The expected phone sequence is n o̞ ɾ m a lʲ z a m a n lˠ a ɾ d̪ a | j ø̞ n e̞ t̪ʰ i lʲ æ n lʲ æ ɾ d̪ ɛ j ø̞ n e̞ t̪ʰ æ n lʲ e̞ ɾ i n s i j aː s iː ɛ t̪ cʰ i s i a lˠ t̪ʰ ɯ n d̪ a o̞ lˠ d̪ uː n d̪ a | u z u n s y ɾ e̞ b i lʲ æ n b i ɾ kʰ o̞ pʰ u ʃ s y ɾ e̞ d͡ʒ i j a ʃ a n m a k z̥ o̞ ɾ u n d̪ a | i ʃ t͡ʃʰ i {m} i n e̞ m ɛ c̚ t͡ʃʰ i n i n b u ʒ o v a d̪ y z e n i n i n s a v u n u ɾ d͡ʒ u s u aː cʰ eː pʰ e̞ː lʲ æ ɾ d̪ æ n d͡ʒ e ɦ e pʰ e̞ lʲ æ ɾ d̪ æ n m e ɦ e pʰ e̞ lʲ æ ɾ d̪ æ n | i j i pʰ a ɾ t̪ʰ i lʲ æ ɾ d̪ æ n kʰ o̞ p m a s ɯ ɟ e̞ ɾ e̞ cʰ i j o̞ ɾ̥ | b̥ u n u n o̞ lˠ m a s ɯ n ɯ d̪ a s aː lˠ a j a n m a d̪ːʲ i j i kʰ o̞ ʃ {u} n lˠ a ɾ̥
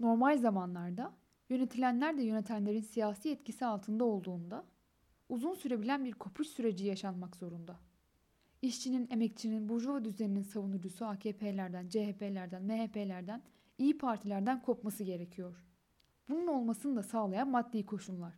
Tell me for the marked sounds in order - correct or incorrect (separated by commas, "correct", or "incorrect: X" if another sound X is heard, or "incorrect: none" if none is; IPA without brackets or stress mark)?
incorrect: n, correct